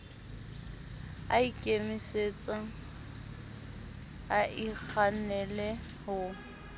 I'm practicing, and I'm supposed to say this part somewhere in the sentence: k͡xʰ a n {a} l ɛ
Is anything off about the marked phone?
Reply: yes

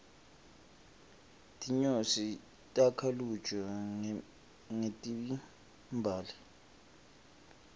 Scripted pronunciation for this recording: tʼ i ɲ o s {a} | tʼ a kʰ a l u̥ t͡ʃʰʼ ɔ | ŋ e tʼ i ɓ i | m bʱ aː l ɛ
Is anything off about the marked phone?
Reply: yes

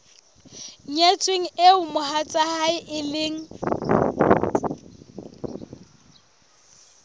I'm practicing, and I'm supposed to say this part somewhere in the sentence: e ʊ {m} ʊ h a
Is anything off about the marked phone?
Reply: no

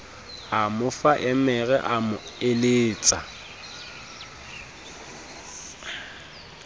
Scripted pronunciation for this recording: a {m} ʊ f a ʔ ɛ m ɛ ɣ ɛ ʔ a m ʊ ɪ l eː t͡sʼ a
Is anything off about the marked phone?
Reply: no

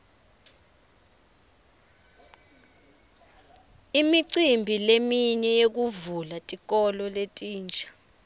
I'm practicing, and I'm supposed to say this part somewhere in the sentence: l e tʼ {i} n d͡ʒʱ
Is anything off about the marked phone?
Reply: yes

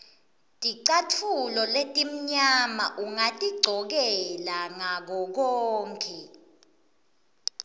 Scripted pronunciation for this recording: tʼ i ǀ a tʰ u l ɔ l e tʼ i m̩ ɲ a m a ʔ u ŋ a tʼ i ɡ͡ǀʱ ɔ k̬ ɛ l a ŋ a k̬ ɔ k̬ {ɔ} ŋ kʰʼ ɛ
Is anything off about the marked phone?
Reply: yes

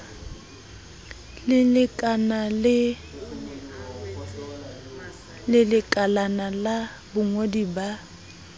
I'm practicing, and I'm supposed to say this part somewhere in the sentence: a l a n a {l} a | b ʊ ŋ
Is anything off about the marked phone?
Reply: no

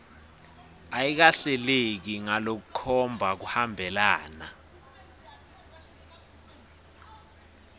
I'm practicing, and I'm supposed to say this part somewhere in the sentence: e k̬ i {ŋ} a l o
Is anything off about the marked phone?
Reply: no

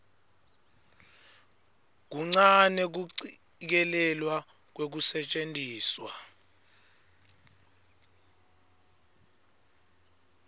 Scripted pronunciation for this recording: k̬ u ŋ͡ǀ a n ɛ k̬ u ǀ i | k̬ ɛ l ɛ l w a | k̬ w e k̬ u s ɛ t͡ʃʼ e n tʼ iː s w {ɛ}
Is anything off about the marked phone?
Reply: yes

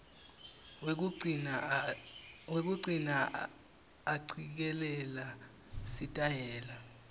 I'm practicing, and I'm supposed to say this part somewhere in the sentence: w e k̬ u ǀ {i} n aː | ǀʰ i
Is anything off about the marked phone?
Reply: no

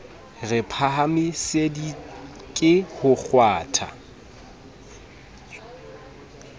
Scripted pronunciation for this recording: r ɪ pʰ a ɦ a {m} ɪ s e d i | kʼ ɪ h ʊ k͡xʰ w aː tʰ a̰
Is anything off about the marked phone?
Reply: no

